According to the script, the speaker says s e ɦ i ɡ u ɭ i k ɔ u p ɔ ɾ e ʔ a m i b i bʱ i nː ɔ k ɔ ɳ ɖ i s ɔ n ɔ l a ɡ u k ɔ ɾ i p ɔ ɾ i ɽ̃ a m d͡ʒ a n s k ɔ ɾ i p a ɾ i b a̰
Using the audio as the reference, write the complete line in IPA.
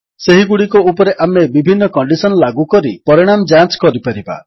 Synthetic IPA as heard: s e ɦ i ɡ u ɽ i k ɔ u p ɔ ɾ e ʔ a m e b i bʱ i nː ɔ k ɔ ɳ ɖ i s ɔ n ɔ l a ɡ u k ɔ ɾ i p ɔ ɾ i ɽ̃ a m d͡ʒ a n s k ɔ ɾ i p a ɾ i b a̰